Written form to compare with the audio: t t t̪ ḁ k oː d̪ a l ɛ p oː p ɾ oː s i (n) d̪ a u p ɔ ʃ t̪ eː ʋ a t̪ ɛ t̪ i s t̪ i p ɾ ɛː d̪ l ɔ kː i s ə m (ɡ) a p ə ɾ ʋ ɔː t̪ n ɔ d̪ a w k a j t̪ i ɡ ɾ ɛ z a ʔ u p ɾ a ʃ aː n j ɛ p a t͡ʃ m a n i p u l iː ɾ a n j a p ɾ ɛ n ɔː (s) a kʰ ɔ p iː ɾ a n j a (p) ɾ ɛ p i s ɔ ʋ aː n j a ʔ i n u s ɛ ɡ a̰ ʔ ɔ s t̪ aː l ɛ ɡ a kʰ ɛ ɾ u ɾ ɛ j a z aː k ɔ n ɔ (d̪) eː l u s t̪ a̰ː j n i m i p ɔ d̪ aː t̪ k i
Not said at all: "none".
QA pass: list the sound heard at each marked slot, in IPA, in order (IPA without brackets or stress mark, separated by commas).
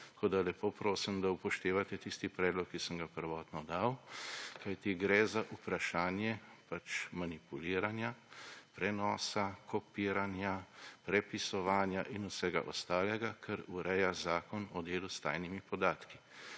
m, ɡ, s, p, d̪